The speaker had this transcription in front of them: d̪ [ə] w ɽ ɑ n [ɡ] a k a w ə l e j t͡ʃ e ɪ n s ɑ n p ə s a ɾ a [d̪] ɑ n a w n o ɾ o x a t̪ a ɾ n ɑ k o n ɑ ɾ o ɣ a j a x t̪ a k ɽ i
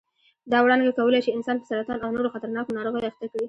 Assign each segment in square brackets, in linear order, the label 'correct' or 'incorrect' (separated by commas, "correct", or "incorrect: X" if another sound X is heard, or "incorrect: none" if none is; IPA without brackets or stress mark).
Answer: incorrect: ɑ, correct, incorrect: t̪